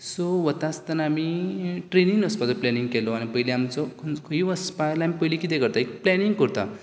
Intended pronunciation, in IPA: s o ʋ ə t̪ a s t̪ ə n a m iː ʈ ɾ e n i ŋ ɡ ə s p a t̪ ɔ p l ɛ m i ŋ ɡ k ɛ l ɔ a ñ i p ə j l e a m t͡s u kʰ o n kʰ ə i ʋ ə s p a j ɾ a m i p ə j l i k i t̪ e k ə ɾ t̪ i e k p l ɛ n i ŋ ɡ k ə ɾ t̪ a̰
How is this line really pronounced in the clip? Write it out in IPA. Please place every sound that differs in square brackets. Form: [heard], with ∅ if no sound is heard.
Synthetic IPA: s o ʋ ə t̪ a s t̪ ə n a m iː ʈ ɾ e n i ŋ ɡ ə s p a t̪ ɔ p l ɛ [n] i ŋ ɡ k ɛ l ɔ a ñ i p ə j l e a m t͡s [ɔ] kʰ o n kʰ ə i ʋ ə s p a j [l] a m i p ə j l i k i t̪ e k ə ɾ t̪ [a] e k p l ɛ n i ŋ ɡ k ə ɾ t̪ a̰